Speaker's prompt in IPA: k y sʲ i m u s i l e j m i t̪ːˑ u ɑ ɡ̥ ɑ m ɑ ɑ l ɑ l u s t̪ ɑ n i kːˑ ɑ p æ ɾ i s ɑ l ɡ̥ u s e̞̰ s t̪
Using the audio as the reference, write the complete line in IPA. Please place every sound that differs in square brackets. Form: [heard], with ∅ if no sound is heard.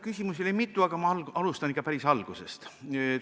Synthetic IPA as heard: k y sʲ i m u s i l e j m i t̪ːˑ u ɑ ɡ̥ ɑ m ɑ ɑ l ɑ l u s t̪ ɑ n i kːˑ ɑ p æ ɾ i s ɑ l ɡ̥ u s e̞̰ s t̪